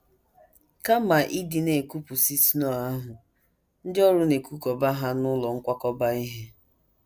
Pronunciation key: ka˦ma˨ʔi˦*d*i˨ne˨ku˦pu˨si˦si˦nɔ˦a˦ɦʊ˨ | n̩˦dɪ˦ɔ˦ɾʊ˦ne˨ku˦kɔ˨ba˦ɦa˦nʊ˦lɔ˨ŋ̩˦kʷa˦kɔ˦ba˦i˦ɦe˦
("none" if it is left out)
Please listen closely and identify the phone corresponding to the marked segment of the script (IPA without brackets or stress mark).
d